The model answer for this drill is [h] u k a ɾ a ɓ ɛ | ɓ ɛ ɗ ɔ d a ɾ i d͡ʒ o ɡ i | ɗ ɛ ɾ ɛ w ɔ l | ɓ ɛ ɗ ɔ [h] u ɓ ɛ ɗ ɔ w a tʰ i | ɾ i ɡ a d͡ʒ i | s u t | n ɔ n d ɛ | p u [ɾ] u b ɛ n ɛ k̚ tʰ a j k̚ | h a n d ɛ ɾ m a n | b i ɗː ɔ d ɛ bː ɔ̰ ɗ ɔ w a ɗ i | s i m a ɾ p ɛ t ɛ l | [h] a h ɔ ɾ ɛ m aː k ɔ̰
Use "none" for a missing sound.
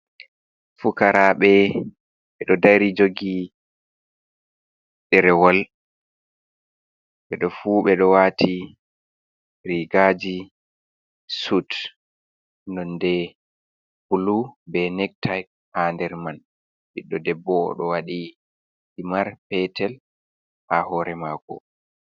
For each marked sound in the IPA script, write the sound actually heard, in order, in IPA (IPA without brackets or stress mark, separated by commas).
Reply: f, f, l, h